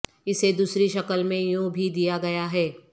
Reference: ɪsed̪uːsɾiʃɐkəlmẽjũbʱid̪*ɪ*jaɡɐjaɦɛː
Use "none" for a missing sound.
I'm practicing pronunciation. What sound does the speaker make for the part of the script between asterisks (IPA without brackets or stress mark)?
i